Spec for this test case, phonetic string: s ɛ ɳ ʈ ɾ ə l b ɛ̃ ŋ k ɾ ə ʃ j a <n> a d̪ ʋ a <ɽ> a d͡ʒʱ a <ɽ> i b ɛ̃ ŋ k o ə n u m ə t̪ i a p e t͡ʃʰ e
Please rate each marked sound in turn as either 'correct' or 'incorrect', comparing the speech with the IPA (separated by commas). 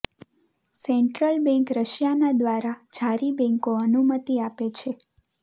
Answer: correct, incorrect, incorrect